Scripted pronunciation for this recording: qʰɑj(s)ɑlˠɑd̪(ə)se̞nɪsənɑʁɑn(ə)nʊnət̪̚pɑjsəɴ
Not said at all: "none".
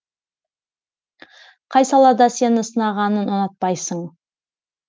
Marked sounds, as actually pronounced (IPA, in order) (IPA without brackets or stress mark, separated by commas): s, ɑ, ə